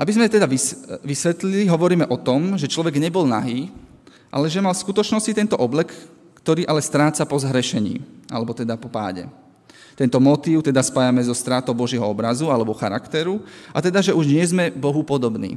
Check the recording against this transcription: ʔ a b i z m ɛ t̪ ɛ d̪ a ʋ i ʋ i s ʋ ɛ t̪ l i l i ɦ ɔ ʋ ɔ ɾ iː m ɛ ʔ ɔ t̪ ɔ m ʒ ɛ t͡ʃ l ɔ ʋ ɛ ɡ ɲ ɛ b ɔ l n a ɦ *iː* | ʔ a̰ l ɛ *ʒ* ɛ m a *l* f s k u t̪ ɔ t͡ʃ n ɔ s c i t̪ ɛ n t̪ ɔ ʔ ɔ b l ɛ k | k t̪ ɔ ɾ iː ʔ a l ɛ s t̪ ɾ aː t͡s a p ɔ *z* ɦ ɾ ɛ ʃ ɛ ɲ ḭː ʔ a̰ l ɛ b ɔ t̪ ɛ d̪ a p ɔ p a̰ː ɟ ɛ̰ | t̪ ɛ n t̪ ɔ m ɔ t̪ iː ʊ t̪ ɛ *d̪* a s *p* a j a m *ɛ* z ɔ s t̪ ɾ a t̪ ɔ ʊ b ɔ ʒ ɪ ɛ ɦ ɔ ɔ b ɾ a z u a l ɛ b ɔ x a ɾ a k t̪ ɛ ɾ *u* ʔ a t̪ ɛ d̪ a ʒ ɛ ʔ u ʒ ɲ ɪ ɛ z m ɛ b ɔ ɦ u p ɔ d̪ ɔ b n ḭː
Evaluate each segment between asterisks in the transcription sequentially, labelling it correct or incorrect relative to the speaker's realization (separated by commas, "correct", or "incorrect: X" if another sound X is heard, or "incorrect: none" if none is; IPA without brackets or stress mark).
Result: correct, correct, correct, correct, correct, correct, correct, correct